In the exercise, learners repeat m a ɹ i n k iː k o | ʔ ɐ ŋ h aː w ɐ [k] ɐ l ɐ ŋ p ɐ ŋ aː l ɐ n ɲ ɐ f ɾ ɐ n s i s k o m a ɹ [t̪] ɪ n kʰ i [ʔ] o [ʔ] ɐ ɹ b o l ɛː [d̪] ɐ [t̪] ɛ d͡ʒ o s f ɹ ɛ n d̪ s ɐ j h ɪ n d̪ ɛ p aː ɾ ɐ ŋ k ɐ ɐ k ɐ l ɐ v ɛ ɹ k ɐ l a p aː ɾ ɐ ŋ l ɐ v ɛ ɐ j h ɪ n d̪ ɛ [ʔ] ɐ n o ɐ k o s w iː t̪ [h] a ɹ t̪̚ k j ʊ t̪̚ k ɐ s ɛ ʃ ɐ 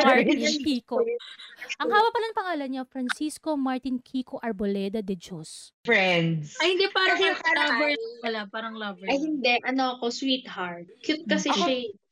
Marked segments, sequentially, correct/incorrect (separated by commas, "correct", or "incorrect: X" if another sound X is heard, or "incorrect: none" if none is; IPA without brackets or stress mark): incorrect: p, correct, incorrect: k, correct, correct, incorrect: d̪, correct, correct